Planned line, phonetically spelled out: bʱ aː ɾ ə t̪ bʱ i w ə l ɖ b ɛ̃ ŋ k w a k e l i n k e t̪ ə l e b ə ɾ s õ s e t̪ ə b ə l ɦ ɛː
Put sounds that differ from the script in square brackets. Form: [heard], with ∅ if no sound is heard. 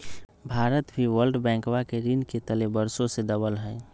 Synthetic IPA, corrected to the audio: bʱ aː ɾ ə t̪ bʱ i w ə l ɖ b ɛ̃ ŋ k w a k e [ɾ] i n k e t̪ ə l e b ə ɾ s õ s e [d̪] ə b ə l ɦ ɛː